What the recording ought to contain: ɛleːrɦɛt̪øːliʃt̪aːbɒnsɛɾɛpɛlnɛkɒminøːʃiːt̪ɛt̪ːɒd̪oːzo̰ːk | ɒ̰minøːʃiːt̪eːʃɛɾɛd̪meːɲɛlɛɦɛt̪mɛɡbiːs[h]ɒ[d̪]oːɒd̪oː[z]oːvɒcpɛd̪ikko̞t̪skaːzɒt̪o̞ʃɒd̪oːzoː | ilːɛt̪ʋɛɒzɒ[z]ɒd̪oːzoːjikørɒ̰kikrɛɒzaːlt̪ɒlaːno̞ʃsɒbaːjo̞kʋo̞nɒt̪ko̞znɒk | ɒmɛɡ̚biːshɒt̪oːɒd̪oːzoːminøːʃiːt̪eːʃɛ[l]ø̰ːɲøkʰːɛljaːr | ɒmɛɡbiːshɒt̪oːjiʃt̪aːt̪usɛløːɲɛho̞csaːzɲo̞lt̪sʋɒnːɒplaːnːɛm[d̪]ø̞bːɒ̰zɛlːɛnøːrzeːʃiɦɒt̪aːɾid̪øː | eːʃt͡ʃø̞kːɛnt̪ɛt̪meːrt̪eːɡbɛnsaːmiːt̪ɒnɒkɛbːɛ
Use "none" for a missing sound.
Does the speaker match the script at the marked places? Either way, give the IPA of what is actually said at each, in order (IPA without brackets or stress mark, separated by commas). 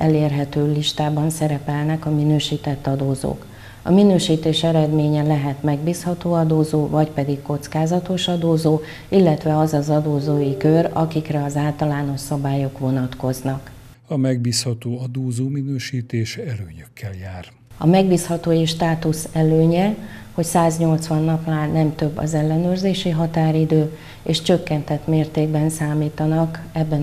h, t̪, z, z, l, t̪